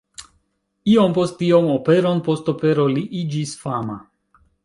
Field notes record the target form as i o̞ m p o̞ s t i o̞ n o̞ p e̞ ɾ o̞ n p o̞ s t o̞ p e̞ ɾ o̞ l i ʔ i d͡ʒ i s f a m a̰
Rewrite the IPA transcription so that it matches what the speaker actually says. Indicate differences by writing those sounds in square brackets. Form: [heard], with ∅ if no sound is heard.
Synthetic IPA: i o̞ m p o̞ s t i o̞ [m] o̞ p e̞ ɾ o̞ n p o̞ s t o̞ p e̞ ɾ o̞ l i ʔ i d͡ʒ i s f a m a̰